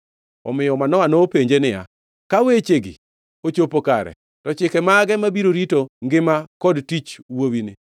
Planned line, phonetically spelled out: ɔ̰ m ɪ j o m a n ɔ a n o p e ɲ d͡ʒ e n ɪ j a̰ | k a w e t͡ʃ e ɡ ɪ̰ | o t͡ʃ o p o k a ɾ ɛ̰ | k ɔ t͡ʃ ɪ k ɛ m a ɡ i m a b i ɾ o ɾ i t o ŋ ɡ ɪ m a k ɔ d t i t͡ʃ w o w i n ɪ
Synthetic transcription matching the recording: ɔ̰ m ɪ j ɔ m a n ɔ a n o p e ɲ d͡ʒ e n ɪ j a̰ | k a w e t͡ʃ e ɡ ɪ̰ | o t͡ʃ o p o k a ɾ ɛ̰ | t ɔ t͡ʃ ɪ k ɛ m a ɡ ɛ m a b i ɾ o ɾ i t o ŋ ɡ ɪ m a k ɔ d t i t͡ʃ w o w i n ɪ